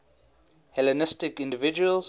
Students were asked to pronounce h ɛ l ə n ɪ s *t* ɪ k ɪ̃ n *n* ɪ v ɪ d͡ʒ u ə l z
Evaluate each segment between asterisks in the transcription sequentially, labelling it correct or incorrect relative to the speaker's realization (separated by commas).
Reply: correct, incorrect